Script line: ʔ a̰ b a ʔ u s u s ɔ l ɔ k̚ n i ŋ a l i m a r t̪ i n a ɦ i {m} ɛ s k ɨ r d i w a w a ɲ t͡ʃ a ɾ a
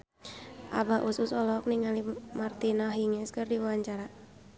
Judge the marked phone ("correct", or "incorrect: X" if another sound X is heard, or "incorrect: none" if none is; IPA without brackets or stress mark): incorrect: ŋ